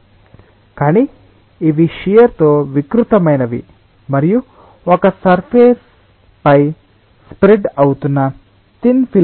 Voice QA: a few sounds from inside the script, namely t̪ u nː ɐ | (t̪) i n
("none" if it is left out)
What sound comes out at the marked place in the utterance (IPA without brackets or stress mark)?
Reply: t̪